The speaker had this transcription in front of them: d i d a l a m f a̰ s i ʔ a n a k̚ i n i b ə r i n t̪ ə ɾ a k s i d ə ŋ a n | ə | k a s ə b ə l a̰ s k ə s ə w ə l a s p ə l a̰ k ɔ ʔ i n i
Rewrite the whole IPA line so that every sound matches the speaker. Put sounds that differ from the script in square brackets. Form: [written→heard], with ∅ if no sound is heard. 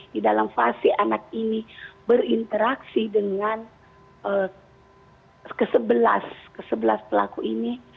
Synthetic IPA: d i d a l a m f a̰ s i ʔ a n a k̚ i n i b ə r i n t̪ ə ɾ a k s i d ə ŋ a n | ə | k [a→ə] s ə b ə l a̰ s k ə s ə [w→b] ə l a s p ə l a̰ k [ɔ→u] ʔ i n i